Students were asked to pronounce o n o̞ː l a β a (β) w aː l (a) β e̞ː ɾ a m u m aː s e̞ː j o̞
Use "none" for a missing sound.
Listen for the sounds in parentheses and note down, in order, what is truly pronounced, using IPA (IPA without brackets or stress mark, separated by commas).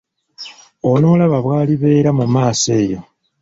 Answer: β, i